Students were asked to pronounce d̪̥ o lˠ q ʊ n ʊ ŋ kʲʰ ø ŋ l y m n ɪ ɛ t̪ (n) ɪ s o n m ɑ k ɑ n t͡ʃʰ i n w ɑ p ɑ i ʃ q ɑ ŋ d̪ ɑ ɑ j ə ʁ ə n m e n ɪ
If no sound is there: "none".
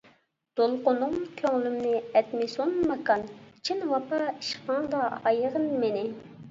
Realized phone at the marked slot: m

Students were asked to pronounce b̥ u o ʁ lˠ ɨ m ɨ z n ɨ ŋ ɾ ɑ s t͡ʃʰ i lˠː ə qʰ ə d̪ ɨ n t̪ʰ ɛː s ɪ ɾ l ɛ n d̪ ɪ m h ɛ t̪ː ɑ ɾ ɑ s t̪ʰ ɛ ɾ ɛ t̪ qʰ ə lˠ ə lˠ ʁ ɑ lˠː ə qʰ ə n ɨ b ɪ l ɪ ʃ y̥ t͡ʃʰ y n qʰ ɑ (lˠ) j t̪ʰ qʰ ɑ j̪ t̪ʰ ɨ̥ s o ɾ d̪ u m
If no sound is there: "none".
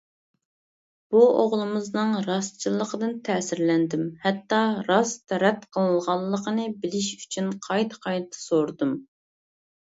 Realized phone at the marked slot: none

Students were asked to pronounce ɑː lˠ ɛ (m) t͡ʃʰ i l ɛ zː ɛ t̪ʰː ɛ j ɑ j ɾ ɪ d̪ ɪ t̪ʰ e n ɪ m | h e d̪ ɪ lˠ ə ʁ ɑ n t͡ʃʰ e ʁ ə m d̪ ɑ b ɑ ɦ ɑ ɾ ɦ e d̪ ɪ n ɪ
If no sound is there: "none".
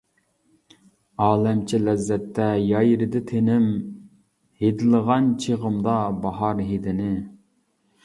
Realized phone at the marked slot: m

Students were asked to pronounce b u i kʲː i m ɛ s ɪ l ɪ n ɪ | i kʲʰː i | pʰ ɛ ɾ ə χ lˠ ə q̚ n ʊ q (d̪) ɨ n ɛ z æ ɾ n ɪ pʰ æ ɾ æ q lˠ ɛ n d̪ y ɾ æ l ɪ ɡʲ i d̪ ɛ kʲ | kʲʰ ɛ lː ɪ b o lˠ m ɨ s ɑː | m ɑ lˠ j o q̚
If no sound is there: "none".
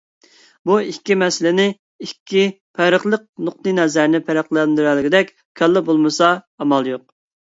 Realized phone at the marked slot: t̪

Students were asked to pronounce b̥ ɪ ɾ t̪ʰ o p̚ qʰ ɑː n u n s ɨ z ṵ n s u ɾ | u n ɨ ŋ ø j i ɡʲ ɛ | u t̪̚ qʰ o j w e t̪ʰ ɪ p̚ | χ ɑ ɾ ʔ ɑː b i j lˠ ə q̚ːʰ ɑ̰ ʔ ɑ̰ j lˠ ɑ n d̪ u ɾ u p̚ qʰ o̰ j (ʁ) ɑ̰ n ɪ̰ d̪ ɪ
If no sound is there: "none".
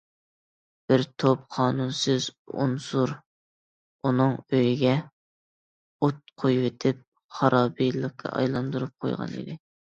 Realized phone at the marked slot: ʁ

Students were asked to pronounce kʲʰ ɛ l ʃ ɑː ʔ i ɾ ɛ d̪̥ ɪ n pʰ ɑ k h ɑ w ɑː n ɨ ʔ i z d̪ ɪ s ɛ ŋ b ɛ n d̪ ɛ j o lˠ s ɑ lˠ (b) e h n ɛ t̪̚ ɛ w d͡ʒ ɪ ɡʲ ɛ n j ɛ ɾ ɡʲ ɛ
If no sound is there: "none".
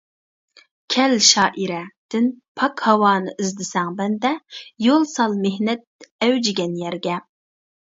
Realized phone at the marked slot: m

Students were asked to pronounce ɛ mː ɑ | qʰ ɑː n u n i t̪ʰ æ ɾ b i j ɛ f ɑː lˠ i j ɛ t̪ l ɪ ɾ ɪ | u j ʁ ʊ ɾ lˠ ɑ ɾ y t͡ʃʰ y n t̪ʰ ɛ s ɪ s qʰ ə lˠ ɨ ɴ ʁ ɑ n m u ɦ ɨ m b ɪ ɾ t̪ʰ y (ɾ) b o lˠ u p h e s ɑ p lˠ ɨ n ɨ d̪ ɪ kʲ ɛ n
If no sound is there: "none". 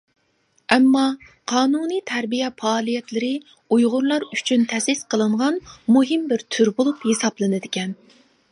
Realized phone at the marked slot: ɾ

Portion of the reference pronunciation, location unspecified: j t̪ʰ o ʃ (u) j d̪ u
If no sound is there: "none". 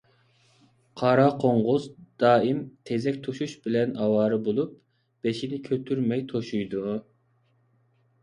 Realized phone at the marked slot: u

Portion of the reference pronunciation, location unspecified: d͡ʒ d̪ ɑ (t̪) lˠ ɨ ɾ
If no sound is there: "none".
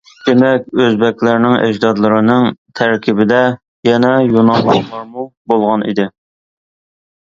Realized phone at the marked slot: d̪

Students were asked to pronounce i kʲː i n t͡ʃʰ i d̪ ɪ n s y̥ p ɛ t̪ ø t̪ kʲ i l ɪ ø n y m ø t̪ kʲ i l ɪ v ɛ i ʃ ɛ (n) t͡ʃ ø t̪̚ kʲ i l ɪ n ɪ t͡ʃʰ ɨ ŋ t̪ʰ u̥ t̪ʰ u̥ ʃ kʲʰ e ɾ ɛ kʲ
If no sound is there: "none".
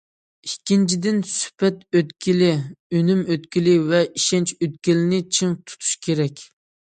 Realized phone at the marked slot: n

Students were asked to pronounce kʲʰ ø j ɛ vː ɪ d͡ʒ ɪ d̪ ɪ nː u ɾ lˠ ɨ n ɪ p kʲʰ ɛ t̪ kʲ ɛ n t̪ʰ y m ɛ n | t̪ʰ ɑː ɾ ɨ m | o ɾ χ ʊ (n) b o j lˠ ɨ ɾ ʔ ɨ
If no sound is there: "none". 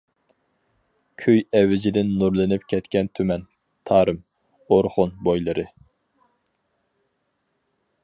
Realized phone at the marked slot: n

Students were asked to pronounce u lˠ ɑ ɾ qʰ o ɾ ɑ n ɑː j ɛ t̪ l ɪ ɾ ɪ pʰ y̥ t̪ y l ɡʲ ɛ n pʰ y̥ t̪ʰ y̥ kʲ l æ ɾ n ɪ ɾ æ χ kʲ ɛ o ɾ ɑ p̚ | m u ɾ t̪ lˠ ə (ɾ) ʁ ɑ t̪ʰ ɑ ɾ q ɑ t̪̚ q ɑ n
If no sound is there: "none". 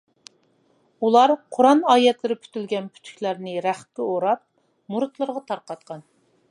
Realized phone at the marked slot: ɾ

